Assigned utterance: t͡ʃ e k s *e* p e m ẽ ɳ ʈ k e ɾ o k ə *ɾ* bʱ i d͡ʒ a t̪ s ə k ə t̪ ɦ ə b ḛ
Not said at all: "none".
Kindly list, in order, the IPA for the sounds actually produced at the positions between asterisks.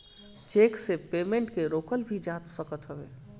e, l

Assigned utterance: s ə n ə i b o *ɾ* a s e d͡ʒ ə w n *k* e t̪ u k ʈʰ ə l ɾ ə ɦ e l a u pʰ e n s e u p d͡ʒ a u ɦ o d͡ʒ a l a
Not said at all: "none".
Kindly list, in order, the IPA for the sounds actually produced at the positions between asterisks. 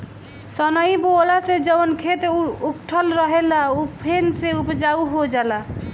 l, kʰ

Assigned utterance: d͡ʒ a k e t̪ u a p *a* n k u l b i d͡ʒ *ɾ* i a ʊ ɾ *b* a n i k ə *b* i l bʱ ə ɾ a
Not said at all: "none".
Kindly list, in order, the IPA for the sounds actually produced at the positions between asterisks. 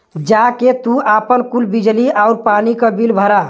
ə, l, p, b

